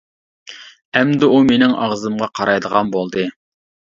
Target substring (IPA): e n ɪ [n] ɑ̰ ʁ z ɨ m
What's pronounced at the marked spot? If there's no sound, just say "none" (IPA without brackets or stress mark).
ŋ